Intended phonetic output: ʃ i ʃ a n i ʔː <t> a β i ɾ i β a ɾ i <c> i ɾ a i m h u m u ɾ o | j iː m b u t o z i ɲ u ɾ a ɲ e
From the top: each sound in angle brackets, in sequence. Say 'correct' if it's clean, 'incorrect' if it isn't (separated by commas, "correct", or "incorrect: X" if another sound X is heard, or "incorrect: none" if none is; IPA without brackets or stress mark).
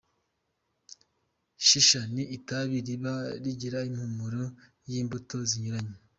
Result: correct, incorrect: ɟ